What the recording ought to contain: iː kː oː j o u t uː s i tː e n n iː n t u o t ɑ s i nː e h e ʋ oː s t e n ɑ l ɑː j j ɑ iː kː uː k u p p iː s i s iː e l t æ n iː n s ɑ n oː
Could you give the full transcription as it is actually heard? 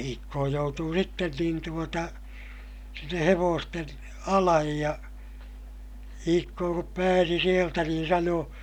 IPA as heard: iː kː oː j o u t uː s i tː e n n iː n t u o t ɑ s i nː e h e ʋ oː s t e n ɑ l ɑ j j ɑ iː kː oː k u p p æː s i s i e l t æ n iː n s ɑ n oː